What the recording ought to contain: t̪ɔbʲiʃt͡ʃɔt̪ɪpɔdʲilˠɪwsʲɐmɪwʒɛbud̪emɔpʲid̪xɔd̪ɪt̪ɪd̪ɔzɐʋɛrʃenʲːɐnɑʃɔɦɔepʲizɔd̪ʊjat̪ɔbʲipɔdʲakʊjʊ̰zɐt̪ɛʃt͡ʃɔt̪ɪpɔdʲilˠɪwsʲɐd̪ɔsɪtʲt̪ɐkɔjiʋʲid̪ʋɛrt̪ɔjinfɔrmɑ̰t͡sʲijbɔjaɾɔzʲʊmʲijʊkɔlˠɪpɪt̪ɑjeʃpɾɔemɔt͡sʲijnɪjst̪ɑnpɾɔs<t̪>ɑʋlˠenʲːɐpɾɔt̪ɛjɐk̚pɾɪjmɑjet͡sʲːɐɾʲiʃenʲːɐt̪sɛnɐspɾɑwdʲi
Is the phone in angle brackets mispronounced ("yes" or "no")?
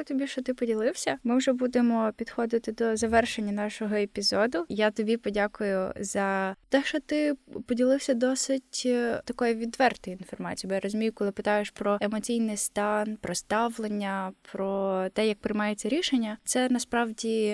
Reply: no